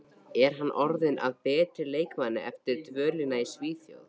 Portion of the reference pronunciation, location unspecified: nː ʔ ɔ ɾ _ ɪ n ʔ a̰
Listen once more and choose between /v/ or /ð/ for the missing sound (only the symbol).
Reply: ð